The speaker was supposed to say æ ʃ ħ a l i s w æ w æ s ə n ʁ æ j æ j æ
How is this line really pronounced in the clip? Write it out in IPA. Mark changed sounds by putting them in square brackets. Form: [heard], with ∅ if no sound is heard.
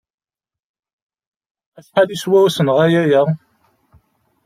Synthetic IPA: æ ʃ ħ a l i s w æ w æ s ə n ʁ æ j æ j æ